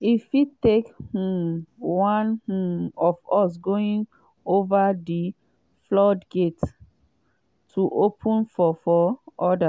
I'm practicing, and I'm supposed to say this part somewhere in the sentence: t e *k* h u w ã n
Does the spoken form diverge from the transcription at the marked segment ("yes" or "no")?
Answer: no